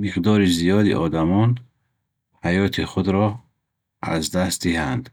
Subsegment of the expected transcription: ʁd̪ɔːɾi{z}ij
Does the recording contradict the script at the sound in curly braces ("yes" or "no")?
no